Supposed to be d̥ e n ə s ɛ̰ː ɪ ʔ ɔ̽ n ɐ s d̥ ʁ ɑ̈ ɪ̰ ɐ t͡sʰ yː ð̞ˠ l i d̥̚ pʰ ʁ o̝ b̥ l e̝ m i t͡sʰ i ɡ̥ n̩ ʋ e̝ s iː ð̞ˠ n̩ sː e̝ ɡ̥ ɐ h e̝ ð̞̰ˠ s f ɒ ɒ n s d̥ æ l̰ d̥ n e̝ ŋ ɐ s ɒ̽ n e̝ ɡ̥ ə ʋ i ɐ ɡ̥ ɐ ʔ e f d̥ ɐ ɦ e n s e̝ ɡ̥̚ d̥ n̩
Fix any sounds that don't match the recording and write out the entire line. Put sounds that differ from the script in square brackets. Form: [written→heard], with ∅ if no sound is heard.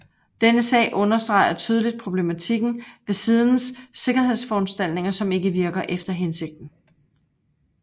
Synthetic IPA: d̥ e n ə s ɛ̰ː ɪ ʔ ɔ̽ n ɐ s d̥ ʁ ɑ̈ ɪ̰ ɐ t͡sʰ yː ð̞ˠ l i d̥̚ pʰ ʁ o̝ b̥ l e̝ m [i→æ] t͡sʰ i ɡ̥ n̩ ʋ e̝ s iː ð̞ˠ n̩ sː e̝ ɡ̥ ɐ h e̝ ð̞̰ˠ s f ɒ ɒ n s d̥ æ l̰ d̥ n e̝ ŋ ɐ s ɒ̽ [n→m] e̝ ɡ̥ ə ʋ i ɐ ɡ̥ ɐ ʔ e f d̥ ɐ ɦ e n s e̝ ɡ̥̚ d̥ n̩